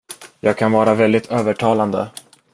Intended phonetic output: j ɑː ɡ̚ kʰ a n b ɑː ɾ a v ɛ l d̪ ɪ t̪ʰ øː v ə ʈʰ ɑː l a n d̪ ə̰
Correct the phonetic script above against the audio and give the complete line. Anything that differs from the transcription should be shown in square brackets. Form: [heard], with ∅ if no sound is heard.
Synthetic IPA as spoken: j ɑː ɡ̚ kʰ a n [v] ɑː ɾ a v ɛ l d̪ ɪ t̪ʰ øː v ə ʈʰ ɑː l a n d̪ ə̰